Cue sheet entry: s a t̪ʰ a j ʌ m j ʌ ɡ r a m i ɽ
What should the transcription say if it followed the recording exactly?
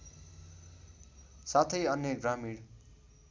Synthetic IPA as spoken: s a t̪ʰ ʌ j ʌ n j ʌ ɡ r a m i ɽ